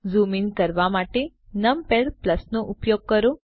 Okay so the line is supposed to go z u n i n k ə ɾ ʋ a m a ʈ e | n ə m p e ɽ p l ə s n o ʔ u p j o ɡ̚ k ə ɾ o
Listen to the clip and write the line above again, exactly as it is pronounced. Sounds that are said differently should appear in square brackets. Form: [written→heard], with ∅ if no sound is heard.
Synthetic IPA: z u [n→m] i n k ə ɾ ʋ a m a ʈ e | n ə m p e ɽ p l ə s n o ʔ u p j o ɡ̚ k ə ɾ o